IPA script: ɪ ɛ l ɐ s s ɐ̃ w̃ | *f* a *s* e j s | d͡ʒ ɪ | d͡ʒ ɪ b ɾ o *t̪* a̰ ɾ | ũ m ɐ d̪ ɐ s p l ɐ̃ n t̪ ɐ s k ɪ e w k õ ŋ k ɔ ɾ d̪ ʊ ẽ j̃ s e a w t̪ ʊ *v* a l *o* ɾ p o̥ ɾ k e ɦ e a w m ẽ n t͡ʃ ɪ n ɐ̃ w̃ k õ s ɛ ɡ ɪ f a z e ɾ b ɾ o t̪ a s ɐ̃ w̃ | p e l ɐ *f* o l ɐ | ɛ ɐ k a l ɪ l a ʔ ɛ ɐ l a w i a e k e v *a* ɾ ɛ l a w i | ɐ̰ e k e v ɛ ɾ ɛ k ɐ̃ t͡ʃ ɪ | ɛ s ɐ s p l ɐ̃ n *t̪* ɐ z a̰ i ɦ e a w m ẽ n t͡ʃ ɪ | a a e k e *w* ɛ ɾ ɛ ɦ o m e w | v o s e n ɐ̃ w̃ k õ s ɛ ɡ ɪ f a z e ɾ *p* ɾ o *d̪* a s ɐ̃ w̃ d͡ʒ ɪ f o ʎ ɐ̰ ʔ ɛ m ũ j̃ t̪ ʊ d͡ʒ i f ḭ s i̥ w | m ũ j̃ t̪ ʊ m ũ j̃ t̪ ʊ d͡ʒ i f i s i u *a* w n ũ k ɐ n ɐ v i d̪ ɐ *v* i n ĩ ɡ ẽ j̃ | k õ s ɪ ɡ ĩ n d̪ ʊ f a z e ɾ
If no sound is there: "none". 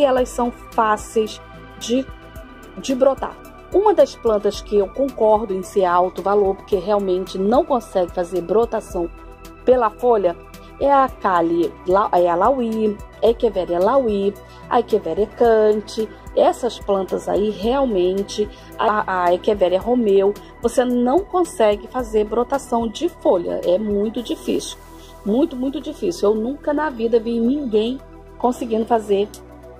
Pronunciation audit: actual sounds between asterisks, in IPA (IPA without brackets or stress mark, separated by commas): f, s, t̪, v, o, f, ɛ, t̪, v, b, t̪, e, v